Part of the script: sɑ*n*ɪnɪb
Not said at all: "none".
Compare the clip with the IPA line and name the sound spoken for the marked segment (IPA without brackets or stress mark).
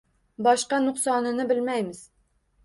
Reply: n